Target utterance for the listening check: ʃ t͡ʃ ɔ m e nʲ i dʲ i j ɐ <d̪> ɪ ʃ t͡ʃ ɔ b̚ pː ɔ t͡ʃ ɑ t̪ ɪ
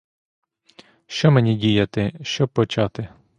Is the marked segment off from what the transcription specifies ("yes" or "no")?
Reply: yes